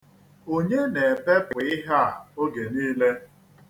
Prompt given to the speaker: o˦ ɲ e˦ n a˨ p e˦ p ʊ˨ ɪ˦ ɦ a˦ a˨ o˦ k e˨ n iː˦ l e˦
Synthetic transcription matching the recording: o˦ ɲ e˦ n e˨ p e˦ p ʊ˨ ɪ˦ ɦ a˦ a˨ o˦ ɡ e˨ n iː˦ l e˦